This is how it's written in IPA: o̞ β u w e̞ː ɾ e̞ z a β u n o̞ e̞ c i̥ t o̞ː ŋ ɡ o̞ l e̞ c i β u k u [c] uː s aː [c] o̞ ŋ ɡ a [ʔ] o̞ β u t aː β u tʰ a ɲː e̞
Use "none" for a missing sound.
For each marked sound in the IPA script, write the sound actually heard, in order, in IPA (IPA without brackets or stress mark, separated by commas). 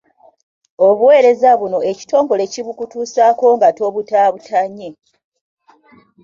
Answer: t, k, t